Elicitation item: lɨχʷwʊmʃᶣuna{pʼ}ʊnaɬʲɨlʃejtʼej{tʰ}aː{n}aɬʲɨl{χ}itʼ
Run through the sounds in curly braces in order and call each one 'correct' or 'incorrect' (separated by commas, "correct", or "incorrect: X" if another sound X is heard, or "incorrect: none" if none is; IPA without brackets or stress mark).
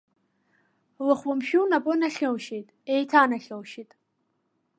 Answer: correct, correct, correct, incorrect: ʃ